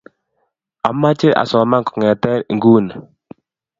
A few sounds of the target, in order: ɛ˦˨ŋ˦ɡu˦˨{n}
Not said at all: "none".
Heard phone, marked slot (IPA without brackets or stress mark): n